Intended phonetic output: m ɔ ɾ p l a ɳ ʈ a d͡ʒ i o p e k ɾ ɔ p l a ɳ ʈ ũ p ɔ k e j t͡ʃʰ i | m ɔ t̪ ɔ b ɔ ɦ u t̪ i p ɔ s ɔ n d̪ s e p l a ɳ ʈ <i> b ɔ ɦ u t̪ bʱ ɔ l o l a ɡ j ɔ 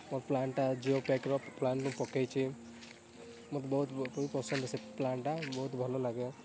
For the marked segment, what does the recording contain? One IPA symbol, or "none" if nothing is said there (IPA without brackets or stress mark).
a